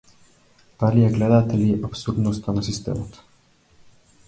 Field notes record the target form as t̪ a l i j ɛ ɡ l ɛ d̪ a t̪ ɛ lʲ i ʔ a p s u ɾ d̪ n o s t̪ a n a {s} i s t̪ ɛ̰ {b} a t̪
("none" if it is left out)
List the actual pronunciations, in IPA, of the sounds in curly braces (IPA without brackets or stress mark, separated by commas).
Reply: s, m